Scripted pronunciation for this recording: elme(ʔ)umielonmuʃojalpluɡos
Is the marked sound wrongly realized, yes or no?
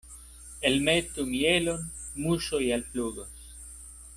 yes